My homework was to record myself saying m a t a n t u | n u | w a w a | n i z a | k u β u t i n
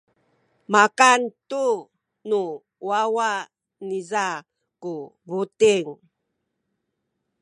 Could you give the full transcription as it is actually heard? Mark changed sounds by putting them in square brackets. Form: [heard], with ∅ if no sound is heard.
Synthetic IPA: m a [k] a n t u | n u | w a w a | n i z a | k u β u t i [ŋ]